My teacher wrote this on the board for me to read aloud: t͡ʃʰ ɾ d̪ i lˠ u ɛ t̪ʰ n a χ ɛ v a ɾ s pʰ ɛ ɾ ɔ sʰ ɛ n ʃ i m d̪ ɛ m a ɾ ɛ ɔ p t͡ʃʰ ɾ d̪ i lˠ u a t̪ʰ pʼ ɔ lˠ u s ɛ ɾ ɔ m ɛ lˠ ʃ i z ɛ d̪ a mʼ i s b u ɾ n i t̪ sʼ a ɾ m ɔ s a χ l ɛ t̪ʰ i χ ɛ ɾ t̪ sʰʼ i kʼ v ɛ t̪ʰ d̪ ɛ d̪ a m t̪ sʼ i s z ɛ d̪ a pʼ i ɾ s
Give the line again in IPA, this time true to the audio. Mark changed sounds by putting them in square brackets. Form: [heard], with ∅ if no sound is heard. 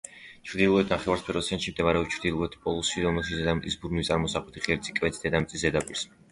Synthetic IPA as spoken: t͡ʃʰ ɾ d̪ i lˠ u ɛ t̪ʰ n a χ ɛ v a ɾ s pʰ ɛ ɾ ɔ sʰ ɛ n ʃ i m d̪ ɛ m a ɾ ɛ ɔ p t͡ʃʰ ɾ d̪ i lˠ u [ɛ] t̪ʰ pʼ ɔ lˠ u s [i] ɾ ɔ m ɛ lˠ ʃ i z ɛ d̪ a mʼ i s b u ɾ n i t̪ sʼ a ɾ m ɔ s a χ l ɛ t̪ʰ i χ ɛ ɾ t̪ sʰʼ i kʼ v ɛ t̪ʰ d̪ ɛ d̪ a m t̪ sʼ i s z ɛ d̪ a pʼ i ɾ s